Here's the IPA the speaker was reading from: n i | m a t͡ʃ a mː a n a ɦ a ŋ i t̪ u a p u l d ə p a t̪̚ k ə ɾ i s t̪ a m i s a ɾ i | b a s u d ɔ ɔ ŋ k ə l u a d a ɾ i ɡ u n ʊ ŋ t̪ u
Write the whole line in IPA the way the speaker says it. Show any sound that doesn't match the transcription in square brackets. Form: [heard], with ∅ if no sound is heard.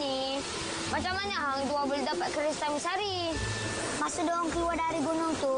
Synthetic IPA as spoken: n i | m a t͡ʃ a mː a n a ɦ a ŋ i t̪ u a [b] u l d [a] p a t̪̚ k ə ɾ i s t̪ a m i s a ɾ i | [m] a s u d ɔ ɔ ŋ k ə l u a d a ɾ i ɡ u n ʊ ŋ t̪ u

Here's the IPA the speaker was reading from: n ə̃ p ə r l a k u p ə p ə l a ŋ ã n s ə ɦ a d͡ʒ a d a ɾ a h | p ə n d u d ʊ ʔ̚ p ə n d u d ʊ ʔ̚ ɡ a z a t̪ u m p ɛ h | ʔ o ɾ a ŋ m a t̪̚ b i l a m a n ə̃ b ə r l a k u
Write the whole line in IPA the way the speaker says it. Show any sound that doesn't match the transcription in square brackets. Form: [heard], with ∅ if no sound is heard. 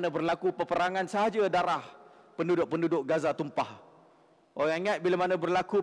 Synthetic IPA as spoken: n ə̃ [b] ə r l a k u p ə p ə [ɾ] a ŋ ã n s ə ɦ a d͡ʒ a d a ɾ a h | p ə n d u d ʊ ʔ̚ p ə n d u d ʊ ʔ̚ ɡ a z a t̪ u m p [a] h | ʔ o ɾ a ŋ [ŋ] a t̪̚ b i l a m a n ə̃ b ə r l a k u

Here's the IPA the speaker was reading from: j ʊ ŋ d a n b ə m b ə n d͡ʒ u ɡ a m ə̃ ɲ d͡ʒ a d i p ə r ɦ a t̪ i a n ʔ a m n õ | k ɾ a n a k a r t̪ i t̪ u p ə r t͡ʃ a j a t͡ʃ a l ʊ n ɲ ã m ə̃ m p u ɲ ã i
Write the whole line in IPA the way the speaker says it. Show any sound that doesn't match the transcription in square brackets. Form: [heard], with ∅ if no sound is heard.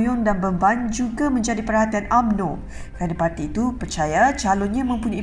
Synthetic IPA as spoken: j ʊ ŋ d a n b ə m b [a] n d͡ʒ u ɡ a m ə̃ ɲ d͡ʒ a d i p ə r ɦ a t̪ i a n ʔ a m n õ | k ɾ a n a [p] a r t̪ [iː] t̪ u p ə r t͡ʃ a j a t͡ʃ a l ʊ n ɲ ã m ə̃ m p u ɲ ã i

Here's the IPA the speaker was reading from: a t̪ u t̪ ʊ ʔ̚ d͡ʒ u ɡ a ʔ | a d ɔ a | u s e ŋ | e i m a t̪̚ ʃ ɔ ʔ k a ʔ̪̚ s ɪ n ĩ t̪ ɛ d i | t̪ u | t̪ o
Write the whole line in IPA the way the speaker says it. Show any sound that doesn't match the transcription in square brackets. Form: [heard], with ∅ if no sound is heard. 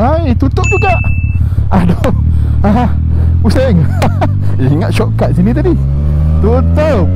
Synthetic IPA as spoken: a t̪ u t̪ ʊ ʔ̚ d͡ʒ u ɡ a ʔ | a d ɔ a | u s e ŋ | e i [ŋ] a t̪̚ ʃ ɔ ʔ k a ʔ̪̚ s [i] n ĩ t̪ [a] d i | t̪ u | t̪ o

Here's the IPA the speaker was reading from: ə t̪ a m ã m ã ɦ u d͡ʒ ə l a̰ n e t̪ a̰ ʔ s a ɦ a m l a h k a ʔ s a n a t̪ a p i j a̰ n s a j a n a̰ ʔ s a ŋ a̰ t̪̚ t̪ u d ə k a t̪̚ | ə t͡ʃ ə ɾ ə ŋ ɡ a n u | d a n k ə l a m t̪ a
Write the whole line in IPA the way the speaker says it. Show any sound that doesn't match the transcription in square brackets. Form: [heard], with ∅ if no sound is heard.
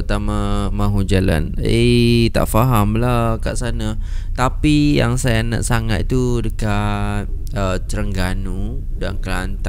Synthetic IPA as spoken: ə t̪ a m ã m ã ɦ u d͡ʒ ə l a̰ n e t̪ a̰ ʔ [f] a ɦ a m l a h k a ʔ s a n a t̪ a p i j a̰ [ŋ] s a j a n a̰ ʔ s a ŋ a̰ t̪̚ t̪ u d ə k a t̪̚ | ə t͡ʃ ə ɾ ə ŋ ɡ a n u | d a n k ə l a [n] t̪ a

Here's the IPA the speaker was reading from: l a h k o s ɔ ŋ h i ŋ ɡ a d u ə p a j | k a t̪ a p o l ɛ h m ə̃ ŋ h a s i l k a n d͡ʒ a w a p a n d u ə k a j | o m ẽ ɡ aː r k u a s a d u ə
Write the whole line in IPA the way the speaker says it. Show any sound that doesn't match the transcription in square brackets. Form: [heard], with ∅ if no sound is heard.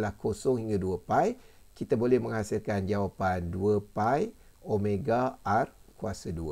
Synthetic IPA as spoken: l a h k o s ɔ ŋ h i ŋ ɡ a d u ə p a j | k [i] t̪ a [b] o l ɛ h m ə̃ ŋ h a s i l k a n d͡ʒ a w a p a n d u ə [p] a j | o m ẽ ɡ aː r k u a s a d u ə

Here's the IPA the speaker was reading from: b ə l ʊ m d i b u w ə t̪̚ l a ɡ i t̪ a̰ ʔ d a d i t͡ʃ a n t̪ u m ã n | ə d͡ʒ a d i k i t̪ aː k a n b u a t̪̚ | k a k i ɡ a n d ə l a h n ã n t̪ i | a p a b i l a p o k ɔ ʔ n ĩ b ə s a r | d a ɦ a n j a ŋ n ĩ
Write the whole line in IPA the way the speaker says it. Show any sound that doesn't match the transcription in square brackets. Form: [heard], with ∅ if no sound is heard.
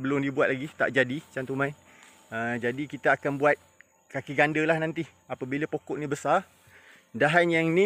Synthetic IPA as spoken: b ə l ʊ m d i b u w [a] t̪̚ l a ɡ i t̪ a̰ ʔ [d͡ʒ] a d i t͡ʃ a n t̪ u m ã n | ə d͡ʒ a d i k i t̪ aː k a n b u a t̪̚ | k a k i ɡ a n d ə l a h n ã n t̪ i | a p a b i l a p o k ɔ ʔ n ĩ b ə s a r | d a ɦ a n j a ŋ n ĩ

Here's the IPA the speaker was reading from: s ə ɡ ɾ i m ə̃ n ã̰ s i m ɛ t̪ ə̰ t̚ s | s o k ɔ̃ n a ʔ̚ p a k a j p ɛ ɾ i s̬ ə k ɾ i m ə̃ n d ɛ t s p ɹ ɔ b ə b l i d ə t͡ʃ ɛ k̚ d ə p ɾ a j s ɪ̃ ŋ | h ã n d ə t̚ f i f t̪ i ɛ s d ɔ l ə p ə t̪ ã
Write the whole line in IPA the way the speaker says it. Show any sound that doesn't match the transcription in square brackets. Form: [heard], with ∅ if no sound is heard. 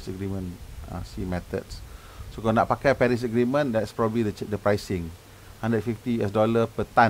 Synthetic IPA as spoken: s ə ɡ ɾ i m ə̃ n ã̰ s i m ɛ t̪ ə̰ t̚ s | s o k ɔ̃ n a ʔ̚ p a k a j p ɛ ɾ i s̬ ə [ɡ] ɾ i m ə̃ n d ɛ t s p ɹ ɔ b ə b l i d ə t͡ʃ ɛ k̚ d ə p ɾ a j s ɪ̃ ŋ | h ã n d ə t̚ f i f t̪ i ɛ s d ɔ l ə p ə t̪ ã

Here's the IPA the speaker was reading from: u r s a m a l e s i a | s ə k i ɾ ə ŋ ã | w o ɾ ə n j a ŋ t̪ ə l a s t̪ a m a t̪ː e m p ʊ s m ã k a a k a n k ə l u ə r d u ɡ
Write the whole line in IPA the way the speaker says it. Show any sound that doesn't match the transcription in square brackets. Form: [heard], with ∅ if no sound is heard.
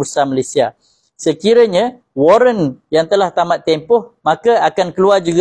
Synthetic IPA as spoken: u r s a m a l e s i a | s ə k i ɾ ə [ɲ] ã | w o ɾ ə n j a ŋ t̪ ə l a [h] t̪ a m a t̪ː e m p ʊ [h] m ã k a a k a n k ə l u [a] r [d͡ʒ] u ɡ

